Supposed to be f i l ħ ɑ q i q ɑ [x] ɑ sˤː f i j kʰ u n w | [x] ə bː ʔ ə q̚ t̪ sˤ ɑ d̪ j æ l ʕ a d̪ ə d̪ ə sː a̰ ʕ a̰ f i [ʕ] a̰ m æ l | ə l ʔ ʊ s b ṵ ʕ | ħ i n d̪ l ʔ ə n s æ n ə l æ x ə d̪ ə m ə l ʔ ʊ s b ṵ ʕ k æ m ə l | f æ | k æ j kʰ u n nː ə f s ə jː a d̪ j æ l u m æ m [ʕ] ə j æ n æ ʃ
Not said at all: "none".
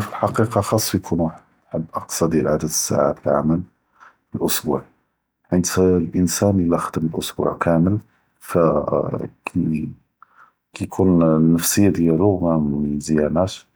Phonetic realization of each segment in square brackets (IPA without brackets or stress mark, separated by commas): x, ħ, ʕ, z